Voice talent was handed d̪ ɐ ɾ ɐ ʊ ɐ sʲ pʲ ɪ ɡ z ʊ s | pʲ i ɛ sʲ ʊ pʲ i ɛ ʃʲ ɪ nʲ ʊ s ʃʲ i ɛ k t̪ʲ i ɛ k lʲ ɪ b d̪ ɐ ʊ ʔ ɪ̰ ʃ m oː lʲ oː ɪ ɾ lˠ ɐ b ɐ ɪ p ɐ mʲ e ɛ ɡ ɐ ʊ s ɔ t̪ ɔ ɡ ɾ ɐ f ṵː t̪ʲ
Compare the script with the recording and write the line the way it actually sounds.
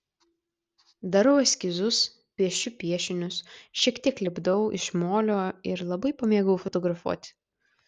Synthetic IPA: d̪ ɐ ɾ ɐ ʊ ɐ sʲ kʲ ɪ z ʊ s | pʲ i ɛ ʃʲ ʊ pʲ i ɛ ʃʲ ɪ nʲ ʊ s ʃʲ i ɛ k t̪ʲ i ɛ k lʲ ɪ b d̪ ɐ ʊ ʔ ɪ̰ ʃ m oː lʲ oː ɪ ɾ lˠ ɐ b ɐ ɪ p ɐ mʲ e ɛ ɡ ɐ ʊ f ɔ t̪ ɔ ɡ ɾ ɐ f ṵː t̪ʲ